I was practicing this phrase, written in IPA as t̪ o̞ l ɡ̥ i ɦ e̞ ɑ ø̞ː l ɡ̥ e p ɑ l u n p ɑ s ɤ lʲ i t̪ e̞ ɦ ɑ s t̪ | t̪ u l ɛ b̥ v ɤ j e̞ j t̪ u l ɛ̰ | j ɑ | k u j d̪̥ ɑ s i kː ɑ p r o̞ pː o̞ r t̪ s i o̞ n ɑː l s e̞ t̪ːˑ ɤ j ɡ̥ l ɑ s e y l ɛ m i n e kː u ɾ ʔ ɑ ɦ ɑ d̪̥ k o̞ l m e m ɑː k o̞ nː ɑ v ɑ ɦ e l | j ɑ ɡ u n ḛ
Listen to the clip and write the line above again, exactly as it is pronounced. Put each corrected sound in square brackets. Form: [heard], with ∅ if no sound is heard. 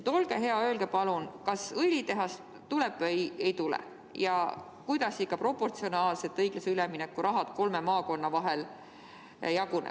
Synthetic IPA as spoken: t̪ o̞ l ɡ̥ [e] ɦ e̞ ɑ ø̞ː l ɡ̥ e p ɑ l u n [k] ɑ s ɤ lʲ i t̪ e̞ ɦ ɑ s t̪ | t̪ u l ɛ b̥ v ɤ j e̞ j t̪ u l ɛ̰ | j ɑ | k u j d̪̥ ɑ s i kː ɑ p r o̞ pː o̞ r t̪ s i o̞ n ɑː l s e̞ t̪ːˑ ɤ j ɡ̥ l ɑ s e y l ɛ m i n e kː u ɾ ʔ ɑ ɦ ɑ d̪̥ k o̞ l m e m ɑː k o̞ nː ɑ v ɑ ɦ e l | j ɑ ɡ u n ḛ